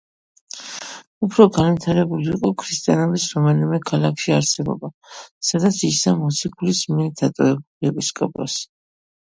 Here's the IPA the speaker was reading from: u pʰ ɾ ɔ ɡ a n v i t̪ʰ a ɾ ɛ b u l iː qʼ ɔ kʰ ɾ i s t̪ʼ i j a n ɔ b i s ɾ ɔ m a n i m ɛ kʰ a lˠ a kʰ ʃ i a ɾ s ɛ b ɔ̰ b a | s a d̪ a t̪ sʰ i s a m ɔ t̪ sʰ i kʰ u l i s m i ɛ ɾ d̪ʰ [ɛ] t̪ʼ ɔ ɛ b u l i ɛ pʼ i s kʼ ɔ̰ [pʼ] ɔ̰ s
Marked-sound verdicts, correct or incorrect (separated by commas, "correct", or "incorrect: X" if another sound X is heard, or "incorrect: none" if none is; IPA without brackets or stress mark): incorrect: a, correct